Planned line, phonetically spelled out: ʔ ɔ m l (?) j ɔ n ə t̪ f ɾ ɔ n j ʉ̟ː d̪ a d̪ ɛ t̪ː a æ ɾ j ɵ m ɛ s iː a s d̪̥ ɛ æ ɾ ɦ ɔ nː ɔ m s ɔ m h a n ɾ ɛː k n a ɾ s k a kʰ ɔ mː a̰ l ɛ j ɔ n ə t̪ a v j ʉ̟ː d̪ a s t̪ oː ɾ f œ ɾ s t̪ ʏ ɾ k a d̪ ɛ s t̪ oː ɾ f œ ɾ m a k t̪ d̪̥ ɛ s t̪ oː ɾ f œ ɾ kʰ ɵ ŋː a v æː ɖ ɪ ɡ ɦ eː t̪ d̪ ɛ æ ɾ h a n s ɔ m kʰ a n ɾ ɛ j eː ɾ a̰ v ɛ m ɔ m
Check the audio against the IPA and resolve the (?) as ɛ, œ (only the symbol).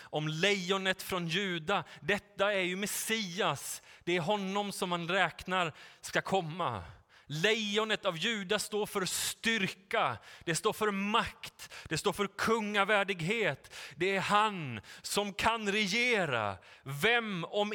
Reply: ɛ